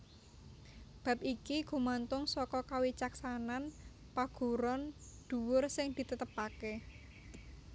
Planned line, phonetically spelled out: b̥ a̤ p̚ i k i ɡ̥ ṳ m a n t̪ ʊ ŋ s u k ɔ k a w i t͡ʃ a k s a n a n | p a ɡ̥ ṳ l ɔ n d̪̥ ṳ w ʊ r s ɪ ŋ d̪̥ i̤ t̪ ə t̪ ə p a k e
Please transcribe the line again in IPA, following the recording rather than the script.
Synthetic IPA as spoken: b̥ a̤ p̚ i k i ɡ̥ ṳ m a n t̪ ʊ ŋ s ɔ k ɔ k a w i t͡ʃ a k s a n a n | p a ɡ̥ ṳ ɾ ɔ n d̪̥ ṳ w ʊ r s ɪ ŋ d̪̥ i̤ t̪ ə t̪ ə p a k e

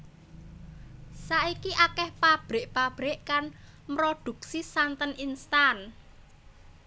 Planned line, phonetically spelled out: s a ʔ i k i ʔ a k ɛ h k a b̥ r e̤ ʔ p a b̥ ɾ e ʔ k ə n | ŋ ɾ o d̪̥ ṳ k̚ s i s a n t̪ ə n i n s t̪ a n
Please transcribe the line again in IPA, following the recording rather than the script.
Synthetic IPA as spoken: s a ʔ i k i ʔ a k ɛ h p a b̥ ɾ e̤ ʔ p a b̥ ɾ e ʔ k a n | m ɾ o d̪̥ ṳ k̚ s i s a n t̪ ə n i n s t̪ a n

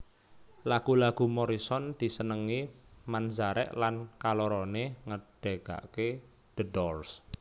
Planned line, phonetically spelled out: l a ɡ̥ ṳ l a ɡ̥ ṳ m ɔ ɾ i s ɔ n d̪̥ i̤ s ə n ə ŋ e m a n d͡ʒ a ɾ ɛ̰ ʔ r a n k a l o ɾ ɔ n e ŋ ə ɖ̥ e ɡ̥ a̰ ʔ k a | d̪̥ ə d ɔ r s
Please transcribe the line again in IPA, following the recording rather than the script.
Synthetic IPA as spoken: l a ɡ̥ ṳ l a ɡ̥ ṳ m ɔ ɾ i s ɔ n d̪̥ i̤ s ə n ə ŋ i m a n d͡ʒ a ɾ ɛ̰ ʔ l a n k a l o ɾ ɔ n e ŋ ə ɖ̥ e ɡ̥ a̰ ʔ k e | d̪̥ ə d ɔ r s

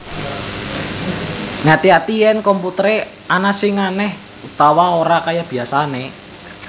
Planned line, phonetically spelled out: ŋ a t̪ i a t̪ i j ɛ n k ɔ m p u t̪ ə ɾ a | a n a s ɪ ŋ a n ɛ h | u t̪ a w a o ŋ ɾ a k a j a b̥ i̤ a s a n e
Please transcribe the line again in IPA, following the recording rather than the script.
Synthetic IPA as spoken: ŋ a t̪ i a t̪ i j ɛ n k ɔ m p u t̪ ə ɾ e | a n a s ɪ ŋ a n ɛ h | u t̪ a w a o ɾ a k a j a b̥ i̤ a s a n e

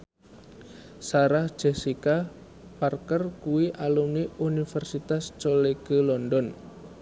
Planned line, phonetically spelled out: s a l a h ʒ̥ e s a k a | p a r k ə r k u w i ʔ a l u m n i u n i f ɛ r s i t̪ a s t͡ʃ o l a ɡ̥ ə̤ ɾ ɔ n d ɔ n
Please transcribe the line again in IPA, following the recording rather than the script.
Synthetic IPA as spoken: s a ɾ a h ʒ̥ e s i k a | p a r k ə r k u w i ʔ a l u m n i u n i f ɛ r s i t̪ a s t͡ʃ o l e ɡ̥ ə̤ l ɔ n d ɔ n

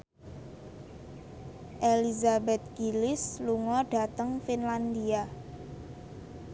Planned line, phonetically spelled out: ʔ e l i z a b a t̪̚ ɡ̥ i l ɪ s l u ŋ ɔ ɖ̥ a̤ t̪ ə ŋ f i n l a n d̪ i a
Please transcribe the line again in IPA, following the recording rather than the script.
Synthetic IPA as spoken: ʔ e l i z a b ɛ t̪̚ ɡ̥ i l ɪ s l u ŋ ɔ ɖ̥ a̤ t̪ ə ŋ f i n l a n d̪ i a

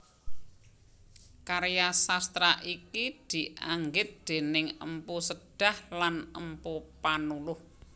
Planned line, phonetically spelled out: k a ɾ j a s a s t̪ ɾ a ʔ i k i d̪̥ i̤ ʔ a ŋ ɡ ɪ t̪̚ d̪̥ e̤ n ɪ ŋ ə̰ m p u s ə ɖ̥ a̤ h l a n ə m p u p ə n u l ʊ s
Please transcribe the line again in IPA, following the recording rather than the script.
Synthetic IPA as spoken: k a ɾ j a s a s t̪ ɾ a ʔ i k i d̪̥ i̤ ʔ a ŋ ɡ ɪ t̪̚ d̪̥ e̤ n ɪ ŋ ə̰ m p u s ə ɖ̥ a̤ h l a n ə m p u p a n u l ʊ h

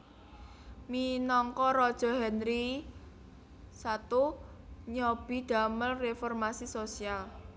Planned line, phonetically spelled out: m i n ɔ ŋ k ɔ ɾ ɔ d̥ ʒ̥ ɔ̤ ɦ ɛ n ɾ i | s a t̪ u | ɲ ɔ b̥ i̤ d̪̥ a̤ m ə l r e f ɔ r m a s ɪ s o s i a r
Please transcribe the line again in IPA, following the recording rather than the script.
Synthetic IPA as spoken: m i n ɔ ŋ k ɔ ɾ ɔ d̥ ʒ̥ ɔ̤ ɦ ɛ n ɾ i | s a t̪ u | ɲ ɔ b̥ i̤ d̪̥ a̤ m ə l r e f ɔ r m a s i s o s i a l

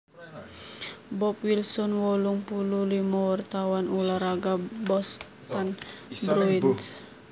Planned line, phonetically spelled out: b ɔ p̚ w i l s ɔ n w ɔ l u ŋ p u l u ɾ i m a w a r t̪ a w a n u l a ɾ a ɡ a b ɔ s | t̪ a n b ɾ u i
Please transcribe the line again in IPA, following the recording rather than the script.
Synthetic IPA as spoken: b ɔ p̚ w i l s ɔ n w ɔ l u ŋ p u l u l i m a w a r t̪ a w a n u l a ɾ a ɡ a b ɔ s | t̪ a n b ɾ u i

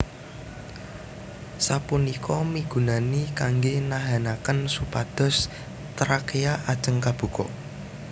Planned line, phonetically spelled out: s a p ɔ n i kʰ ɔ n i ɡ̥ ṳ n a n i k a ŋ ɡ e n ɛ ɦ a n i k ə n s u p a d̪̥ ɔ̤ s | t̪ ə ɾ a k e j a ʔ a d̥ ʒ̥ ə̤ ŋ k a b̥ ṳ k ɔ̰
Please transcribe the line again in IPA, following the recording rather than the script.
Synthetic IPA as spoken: s a p u n i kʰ ɔ m i ɡ̥ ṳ n a n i k a ŋ ɡ e n a ɦ a n a k ə n s u p a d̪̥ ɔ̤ s | t̪ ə ɾ a k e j a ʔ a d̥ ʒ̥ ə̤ ŋ k a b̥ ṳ k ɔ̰

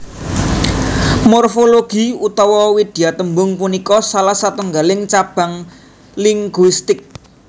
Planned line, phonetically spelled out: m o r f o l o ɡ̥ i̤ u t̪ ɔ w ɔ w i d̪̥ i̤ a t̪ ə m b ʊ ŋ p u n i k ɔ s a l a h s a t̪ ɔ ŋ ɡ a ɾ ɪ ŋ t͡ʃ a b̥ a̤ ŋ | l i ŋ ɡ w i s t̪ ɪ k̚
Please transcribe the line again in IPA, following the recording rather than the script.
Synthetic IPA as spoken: m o r f o l o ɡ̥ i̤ u t̪ ɔ w ɔ w i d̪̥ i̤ a t̪ ə m b ʊ ŋ p u n i k ɔ s a l a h s a t̪ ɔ ŋ ɡ a l ɪ ŋ t͡ʃ a b̥ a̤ ŋ | l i ŋ ɡ w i s t̪ ɪ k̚

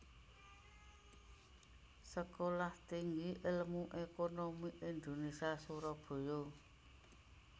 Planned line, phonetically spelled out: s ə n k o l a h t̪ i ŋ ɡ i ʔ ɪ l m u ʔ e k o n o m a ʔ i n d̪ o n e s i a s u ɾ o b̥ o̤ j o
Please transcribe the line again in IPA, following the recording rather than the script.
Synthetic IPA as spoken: s ə k o l a h t̪ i ŋ ɡ i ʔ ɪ l m u ʔ e k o n o m i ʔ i n d̪ o n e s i a s u ɾ ɔ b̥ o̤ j o

